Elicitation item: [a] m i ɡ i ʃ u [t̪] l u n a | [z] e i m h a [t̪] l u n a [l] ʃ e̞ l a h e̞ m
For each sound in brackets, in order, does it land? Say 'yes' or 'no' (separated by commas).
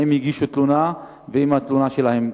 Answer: no, yes, no, yes, no